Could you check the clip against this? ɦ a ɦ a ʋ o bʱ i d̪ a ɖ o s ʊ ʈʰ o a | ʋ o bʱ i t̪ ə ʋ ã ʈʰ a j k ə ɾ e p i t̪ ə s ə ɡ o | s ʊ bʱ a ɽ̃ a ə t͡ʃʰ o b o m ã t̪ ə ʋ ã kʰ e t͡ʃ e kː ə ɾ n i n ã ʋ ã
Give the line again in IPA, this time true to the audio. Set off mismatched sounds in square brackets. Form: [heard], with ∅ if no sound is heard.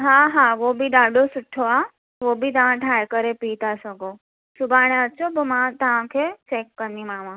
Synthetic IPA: ɦ a ɦ a ʋ o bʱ i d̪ a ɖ o s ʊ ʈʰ o a | ʋ o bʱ i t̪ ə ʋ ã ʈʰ a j k ə ɾ e p i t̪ [a] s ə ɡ o | s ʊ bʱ a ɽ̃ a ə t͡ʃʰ o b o m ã t̪ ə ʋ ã kʰ e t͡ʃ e kː ə ɾ n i [m] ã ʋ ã